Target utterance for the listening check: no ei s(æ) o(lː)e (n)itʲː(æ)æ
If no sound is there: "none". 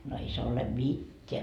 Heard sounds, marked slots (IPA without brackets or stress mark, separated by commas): e, l, m, e